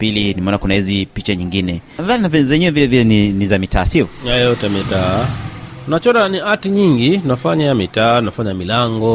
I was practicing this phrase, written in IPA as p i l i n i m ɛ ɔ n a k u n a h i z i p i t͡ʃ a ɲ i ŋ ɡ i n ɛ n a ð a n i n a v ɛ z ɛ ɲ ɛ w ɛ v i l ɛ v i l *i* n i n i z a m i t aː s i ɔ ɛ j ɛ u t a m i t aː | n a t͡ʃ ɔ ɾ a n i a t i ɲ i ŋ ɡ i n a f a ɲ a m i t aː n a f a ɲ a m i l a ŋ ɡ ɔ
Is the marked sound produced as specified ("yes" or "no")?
no